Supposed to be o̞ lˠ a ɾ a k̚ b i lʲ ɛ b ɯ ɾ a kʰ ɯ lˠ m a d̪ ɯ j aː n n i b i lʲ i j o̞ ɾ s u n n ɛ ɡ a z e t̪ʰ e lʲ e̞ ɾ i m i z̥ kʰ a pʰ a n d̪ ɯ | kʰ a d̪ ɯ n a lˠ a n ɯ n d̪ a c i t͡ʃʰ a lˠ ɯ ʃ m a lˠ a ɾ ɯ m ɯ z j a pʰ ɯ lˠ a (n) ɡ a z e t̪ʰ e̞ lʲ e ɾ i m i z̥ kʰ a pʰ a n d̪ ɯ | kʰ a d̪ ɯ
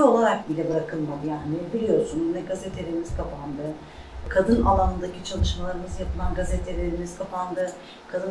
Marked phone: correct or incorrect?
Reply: correct